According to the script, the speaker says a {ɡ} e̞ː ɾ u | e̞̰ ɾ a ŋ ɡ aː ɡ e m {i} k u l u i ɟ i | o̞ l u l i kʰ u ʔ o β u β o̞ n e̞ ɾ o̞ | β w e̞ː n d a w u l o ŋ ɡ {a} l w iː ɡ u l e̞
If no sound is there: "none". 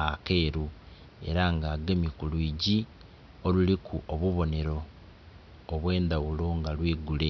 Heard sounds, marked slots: k, i, a

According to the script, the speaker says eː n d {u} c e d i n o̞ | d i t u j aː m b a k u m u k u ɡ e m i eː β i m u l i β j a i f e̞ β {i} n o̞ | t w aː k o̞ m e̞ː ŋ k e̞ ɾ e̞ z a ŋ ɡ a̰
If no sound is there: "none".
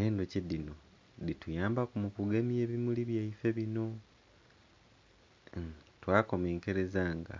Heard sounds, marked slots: o, i

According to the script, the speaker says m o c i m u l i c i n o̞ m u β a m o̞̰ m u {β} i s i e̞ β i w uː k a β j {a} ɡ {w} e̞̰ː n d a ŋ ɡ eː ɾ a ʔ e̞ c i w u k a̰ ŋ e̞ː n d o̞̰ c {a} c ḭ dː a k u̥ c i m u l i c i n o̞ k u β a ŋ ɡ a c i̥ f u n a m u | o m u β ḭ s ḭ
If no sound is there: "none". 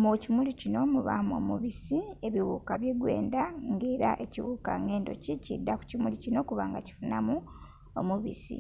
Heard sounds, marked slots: β, e, w, i

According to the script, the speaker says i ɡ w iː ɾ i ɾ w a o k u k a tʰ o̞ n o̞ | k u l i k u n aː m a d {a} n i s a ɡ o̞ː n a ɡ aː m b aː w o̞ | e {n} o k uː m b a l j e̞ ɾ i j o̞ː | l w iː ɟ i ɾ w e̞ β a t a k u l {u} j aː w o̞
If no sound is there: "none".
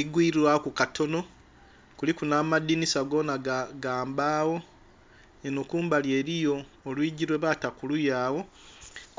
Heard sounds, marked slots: i, n, u

